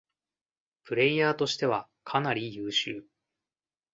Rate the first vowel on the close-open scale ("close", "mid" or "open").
close